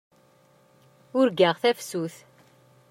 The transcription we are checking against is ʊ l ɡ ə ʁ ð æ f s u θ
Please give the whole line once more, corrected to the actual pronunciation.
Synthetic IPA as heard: ʊ ɾ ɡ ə ʁ θ æ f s u θ